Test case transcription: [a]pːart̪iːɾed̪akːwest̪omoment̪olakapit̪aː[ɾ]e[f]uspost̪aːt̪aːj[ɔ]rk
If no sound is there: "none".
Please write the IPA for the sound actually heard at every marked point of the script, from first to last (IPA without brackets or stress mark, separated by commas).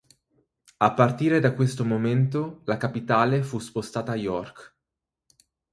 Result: a, l, f, ɔ